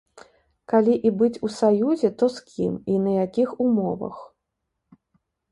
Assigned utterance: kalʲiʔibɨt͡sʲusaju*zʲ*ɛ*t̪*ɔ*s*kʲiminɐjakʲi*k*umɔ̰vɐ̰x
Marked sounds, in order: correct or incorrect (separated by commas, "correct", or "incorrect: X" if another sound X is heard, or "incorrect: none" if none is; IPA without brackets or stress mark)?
correct, correct, correct, incorrect: x